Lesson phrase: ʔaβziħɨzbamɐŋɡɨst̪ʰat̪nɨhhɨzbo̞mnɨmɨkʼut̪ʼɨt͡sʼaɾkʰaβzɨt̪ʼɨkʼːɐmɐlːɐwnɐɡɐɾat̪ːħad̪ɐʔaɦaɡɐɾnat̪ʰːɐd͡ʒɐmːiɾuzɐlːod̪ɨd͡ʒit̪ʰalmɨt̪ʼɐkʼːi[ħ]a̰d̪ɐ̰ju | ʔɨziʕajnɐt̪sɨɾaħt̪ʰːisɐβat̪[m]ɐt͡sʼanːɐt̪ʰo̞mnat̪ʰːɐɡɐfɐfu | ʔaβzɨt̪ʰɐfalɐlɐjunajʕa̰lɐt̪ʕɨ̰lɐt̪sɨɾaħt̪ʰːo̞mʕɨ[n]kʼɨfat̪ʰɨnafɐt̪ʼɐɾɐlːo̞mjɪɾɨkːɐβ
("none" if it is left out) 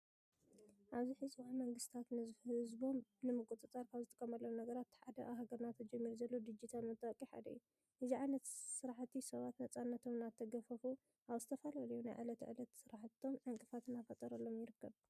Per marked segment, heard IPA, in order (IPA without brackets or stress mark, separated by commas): ħ, n, ŋ